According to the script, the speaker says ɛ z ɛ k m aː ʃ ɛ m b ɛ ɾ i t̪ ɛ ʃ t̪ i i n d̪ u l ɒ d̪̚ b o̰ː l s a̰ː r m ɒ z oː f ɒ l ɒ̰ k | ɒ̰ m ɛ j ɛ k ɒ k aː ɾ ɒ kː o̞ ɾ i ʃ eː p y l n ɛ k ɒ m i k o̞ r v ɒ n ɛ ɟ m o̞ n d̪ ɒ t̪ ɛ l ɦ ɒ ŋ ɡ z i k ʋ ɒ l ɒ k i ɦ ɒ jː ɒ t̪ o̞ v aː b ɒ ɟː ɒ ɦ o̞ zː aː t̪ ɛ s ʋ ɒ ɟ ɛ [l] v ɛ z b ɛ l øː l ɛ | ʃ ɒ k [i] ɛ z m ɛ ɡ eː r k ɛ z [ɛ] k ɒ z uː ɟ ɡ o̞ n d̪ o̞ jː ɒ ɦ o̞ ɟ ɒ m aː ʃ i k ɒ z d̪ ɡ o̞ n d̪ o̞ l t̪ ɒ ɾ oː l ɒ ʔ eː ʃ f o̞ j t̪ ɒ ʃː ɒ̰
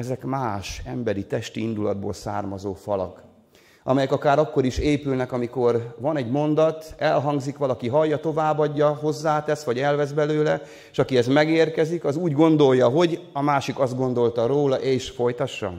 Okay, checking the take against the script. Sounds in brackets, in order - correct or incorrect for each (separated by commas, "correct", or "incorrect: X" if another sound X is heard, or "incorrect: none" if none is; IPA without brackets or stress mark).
correct, correct, incorrect: i